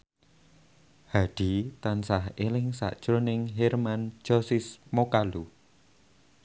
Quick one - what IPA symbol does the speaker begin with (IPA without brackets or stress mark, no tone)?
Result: h